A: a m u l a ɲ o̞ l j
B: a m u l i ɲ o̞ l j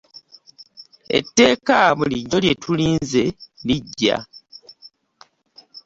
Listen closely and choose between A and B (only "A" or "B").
B